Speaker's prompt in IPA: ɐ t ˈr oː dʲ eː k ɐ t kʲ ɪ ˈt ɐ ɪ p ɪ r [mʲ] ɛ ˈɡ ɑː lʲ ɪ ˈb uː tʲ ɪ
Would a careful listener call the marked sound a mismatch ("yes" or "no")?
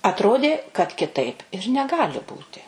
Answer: yes